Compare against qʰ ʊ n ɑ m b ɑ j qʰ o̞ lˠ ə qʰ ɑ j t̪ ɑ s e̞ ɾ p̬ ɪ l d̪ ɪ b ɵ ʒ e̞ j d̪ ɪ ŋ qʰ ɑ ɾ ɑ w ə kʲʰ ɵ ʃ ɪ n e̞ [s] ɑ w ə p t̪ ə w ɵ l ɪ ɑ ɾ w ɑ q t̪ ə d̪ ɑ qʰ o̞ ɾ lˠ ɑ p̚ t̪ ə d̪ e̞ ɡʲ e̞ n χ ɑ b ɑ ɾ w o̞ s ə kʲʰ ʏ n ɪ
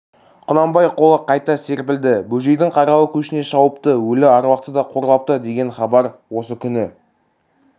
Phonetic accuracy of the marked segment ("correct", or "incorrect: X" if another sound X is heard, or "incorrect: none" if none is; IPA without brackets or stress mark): incorrect: ʃ